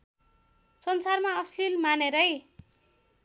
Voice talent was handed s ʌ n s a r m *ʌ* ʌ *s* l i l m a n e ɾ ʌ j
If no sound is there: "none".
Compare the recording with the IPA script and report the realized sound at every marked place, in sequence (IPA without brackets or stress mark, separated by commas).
a, s